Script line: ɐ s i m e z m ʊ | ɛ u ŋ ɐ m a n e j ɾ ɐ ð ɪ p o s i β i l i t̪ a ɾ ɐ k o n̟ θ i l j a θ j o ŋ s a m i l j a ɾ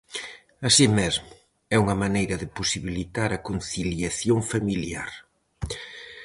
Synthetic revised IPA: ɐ s i m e z m ʊ | ɛ u ŋ ɐ m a n e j ɾ ɐ ð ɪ p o s i β i l i t̪ a ɾ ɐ k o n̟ θ i l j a θ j o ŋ f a m i l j a ɾ